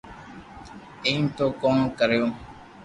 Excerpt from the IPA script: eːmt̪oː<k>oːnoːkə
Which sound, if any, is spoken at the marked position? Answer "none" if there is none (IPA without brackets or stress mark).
k